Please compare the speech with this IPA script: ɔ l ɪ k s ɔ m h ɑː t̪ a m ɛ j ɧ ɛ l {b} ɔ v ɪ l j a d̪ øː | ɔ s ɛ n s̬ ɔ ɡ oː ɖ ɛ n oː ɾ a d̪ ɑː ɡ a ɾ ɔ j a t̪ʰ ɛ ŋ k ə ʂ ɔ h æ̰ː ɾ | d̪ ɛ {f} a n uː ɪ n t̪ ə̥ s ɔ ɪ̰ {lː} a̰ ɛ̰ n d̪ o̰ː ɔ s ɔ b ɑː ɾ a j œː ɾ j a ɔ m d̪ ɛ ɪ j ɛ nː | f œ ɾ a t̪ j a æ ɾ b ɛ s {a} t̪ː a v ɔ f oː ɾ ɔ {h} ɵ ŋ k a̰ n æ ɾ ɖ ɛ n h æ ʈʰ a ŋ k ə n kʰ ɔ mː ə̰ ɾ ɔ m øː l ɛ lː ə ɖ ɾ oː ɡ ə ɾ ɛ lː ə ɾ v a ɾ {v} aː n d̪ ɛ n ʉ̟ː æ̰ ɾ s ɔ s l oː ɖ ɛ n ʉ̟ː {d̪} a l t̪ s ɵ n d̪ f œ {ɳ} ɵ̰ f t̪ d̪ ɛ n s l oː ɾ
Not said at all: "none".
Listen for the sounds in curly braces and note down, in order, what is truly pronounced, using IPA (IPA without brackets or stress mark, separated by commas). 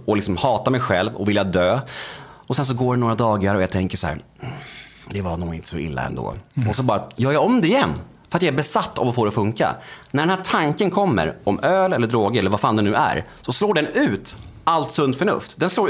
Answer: v, v, lː, a, f, f, t̪, ɳ